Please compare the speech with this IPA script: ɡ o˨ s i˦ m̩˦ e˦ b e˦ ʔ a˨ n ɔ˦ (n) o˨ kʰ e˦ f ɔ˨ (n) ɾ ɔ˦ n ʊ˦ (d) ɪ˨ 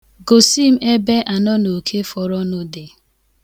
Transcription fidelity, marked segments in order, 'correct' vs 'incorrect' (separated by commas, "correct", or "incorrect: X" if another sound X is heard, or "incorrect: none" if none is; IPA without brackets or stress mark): correct, incorrect: none, correct